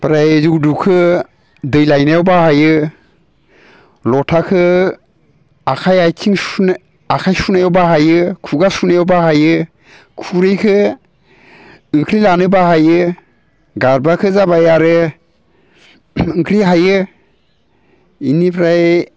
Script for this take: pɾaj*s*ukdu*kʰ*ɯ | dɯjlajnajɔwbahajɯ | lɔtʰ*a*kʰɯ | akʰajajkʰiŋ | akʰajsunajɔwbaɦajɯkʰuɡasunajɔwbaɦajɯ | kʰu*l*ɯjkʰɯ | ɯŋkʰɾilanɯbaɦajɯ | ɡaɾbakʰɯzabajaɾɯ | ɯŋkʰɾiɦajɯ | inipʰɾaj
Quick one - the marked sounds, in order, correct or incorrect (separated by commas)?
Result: incorrect, correct, correct, incorrect